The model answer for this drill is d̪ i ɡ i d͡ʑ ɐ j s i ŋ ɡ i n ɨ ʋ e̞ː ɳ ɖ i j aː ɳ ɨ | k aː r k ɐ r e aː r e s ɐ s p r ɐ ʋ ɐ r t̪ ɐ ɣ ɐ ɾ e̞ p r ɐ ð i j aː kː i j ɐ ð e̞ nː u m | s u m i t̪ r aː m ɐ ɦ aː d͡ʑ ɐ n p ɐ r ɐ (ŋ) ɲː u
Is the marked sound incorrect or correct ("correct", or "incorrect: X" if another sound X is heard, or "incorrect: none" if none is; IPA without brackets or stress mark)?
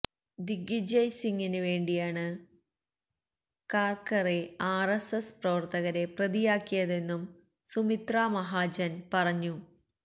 incorrect: none